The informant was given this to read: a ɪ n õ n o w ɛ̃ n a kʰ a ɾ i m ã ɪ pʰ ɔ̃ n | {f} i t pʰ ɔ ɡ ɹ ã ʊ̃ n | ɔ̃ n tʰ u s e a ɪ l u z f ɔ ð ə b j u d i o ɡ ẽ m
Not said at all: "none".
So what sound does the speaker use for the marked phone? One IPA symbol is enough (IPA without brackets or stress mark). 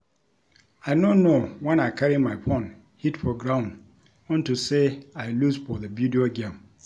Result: h